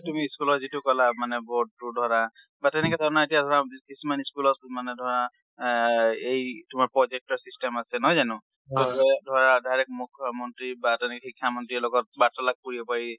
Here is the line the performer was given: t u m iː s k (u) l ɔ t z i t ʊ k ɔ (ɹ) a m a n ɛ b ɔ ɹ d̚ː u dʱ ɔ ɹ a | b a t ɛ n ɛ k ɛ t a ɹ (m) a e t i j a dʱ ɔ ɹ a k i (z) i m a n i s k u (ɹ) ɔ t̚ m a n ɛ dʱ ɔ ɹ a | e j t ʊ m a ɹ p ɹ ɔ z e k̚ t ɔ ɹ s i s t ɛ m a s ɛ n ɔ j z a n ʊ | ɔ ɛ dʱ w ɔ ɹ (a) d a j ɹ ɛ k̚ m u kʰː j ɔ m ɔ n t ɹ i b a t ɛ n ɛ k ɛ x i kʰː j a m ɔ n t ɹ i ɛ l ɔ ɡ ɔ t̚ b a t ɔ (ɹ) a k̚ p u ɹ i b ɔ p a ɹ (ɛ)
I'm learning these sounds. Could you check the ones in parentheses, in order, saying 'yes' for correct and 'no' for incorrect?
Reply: yes, no, no, no, no, yes, no, no

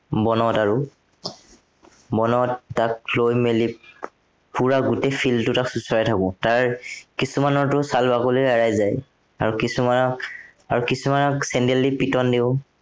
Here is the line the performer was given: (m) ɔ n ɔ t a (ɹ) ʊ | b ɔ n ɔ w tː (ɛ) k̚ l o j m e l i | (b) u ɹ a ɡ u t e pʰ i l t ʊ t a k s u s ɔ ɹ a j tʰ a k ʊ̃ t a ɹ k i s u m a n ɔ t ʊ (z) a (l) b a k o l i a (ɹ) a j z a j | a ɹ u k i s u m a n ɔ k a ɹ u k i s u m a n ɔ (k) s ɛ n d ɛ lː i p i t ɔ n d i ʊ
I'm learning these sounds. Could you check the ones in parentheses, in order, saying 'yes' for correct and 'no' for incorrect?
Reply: no, yes, no, no, no, yes, yes, yes

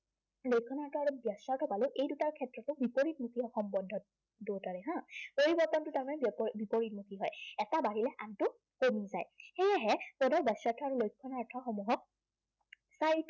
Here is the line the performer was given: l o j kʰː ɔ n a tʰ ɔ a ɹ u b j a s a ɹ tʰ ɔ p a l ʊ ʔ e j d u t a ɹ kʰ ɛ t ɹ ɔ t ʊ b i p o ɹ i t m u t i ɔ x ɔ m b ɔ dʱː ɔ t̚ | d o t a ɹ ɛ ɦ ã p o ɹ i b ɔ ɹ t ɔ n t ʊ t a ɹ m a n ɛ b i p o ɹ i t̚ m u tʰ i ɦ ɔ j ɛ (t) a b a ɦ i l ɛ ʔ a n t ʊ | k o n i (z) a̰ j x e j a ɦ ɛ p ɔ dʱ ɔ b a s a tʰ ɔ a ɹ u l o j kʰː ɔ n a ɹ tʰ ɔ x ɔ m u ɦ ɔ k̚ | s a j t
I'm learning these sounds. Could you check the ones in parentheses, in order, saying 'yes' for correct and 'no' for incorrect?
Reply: yes, yes

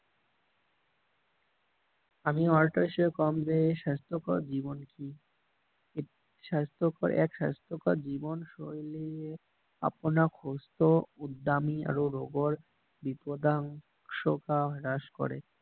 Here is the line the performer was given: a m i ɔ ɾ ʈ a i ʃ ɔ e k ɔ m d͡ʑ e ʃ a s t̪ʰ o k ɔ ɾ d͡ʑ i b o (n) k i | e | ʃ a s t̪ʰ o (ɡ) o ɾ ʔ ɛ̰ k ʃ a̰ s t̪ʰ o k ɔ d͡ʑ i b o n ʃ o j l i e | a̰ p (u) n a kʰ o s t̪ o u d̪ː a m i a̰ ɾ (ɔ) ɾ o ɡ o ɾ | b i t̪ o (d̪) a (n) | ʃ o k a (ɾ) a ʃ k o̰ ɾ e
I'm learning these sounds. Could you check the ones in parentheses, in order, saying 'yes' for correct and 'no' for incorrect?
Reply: yes, no, no, no, yes, no, yes

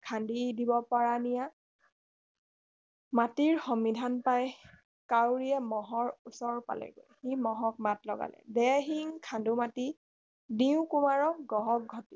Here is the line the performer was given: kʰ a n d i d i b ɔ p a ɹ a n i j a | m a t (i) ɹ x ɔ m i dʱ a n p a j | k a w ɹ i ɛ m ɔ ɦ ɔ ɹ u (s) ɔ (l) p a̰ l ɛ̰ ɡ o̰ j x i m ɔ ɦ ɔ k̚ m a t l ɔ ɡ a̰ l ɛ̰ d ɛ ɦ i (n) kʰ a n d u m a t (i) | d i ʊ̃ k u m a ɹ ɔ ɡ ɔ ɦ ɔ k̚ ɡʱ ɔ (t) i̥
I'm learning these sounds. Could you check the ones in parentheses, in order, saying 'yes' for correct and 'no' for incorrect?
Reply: yes, yes, no, no, yes, yes

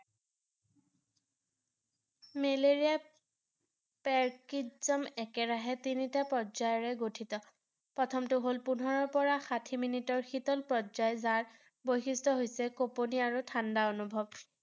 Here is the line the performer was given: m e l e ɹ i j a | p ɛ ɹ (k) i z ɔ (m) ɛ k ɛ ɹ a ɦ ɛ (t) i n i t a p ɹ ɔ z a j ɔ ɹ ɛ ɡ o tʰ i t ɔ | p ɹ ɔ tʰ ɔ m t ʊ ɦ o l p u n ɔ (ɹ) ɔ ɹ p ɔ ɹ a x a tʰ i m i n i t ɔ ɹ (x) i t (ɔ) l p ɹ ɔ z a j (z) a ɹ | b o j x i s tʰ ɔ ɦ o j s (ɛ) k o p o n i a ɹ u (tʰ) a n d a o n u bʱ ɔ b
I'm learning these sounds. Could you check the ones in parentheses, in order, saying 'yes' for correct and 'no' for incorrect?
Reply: yes, yes, yes, yes, yes, yes, yes, yes, yes

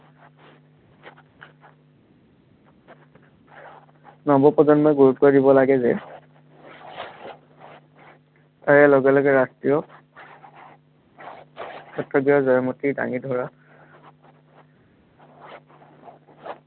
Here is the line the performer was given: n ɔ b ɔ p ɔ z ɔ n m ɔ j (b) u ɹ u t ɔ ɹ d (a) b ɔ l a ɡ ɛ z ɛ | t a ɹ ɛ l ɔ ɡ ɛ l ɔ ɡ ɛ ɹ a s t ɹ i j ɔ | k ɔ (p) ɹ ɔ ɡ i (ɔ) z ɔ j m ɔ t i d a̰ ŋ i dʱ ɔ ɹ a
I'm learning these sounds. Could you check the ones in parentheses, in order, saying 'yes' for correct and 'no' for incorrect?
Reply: no, no, no, yes

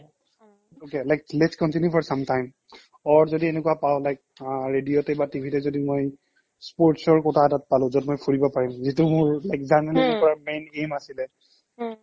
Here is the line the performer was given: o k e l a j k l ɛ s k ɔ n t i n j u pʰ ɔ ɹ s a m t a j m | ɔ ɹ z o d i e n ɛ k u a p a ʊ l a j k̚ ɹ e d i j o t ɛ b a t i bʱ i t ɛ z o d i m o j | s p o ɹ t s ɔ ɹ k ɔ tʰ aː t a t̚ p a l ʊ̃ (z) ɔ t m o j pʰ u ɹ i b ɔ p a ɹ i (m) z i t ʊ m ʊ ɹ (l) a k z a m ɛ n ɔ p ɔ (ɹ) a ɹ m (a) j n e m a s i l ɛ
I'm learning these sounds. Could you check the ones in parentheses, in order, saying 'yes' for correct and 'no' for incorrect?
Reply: yes, yes, yes, yes, no

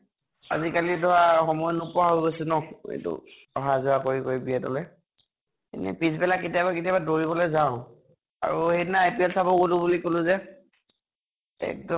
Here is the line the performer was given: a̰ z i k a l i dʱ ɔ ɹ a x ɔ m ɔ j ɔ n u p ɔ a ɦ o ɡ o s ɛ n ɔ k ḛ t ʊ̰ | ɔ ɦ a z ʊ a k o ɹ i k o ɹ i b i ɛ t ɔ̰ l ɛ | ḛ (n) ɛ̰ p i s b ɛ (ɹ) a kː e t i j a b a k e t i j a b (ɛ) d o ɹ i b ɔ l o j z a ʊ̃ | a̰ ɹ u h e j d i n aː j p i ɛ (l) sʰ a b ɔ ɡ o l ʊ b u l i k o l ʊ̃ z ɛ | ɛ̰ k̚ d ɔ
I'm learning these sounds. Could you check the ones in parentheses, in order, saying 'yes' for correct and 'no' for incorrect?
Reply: yes, no, no, yes

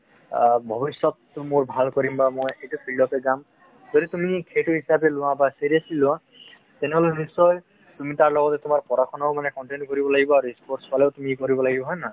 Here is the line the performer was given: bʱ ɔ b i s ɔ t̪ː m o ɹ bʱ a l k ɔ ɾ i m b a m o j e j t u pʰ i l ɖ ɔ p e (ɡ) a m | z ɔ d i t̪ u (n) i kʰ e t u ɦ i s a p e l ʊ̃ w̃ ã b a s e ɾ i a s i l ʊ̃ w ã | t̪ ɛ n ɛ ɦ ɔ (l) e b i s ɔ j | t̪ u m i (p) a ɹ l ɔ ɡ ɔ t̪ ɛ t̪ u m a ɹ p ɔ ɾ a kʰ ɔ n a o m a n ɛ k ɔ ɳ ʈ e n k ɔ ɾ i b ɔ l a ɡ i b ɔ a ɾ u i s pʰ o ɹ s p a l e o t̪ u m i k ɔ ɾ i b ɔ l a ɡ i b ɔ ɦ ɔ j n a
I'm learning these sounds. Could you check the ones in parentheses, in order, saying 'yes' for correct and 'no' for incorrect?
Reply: yes, no, yes, no

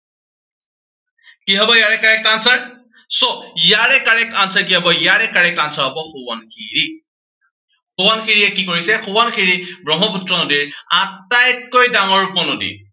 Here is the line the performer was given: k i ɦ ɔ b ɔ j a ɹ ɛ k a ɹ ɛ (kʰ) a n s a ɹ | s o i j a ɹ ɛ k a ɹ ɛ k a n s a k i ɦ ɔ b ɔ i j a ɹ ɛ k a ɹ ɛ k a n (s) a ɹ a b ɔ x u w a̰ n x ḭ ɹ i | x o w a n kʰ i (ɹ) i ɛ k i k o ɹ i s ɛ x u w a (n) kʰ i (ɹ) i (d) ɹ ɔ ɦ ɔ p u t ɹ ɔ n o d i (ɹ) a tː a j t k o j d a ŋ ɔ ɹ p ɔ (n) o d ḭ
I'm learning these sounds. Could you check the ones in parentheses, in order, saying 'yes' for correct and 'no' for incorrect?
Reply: no, yes, yes, yes, yes, no, yes, yes

